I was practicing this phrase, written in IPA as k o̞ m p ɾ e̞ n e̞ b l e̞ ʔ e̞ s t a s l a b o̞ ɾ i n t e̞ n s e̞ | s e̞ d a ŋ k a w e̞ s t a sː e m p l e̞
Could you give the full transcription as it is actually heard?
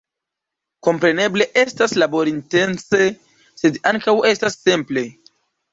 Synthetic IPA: k o̞ m p ɾ e̞ n e̞ b l e̞ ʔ e̞ s t a s l a b o̞ ɾ i n t e̞ n s e̞ | s e̞ d a ŋ k a w e̞ s t a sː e m p l e̞